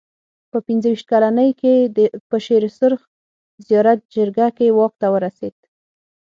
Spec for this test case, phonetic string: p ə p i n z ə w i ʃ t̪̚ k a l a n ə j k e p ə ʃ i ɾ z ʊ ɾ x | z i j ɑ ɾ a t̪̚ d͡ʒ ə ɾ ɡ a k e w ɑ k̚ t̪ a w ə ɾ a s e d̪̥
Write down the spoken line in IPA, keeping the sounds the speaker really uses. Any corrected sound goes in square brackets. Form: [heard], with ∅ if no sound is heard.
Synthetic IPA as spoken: p ə p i n z ə w i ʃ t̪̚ k a l a n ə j k e p ə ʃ [e] ɾ [s] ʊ ɾ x | z i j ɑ ɾ a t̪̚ d͡ʒ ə ɾ ɡ a k e w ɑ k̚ t̪ a w ə ɾ a s e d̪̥